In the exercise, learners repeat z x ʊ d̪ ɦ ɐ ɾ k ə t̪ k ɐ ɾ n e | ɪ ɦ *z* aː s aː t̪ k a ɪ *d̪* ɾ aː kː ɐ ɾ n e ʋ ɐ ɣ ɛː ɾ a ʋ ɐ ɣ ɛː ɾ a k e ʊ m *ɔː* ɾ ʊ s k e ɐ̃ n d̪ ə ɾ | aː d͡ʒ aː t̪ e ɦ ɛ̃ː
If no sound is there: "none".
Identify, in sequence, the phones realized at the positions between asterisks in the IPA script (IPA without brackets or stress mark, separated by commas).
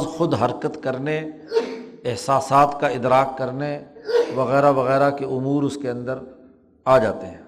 s, d̪, uː